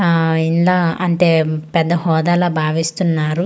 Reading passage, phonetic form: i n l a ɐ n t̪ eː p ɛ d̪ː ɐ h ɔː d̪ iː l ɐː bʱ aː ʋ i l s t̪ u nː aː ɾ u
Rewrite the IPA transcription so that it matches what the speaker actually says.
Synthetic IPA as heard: i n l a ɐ n t̪ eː p ɛ d̪ː ɐ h ɔː d̪ aː l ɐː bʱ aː ʋ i s t̪ u nː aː ɾ u